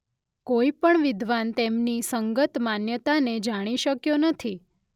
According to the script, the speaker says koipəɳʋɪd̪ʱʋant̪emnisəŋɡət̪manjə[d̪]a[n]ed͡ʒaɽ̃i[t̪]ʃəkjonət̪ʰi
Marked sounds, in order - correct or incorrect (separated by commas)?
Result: incorrect, correct, incorrect